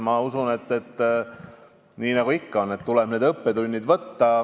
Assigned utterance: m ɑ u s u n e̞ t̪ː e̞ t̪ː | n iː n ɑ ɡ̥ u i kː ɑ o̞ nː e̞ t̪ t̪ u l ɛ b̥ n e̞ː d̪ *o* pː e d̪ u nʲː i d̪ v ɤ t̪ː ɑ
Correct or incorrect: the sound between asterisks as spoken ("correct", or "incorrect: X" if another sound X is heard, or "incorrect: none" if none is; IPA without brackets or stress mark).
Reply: incorrect: ɤ